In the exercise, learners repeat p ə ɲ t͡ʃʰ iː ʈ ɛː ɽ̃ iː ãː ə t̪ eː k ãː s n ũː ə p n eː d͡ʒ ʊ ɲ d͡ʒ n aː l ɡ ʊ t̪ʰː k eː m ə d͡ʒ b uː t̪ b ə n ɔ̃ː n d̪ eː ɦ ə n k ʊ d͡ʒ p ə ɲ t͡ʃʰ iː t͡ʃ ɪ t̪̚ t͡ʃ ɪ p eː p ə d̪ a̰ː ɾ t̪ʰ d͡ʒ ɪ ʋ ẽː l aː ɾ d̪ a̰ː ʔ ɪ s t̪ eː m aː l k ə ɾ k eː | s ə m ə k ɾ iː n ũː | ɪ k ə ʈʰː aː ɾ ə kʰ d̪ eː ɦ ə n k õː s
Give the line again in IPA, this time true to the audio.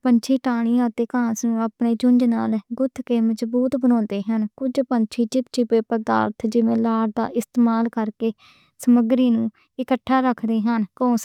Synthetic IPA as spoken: p ə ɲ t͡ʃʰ iː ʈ aː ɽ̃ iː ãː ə t̪ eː k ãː s n ũː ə p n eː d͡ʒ ʊ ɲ d͡ʒ n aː l ɡ ʊ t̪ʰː k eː m ə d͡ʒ b uː t̪ b ə n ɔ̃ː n d̪ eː ɦ ə n k ʊ d͡ʒ p ə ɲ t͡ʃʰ iː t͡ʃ ɪ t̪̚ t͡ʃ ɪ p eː p ə d̪ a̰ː ɾ t̪ʰ d͡ʒ ɪ ʋ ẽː l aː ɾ d̪ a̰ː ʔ ɪ s t̪ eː m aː l k ə ɾ k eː | s ə m ə ɡ ɾ iː n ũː | ɪ k ə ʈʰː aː ɾ ə kʰ d̪ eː ɦ ə n k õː s